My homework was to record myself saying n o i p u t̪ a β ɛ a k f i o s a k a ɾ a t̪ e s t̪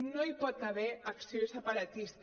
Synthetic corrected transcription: n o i p ɔ t̪ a β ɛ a k s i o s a p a ɾ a t̪ i s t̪